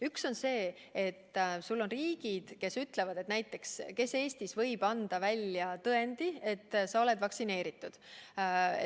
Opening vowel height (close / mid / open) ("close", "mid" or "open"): close